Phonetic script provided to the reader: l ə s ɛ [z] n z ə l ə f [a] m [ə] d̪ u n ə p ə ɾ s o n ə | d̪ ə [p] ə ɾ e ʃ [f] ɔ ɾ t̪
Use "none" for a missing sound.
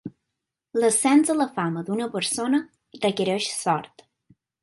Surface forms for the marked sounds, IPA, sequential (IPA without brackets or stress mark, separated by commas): none, a, ə, k, s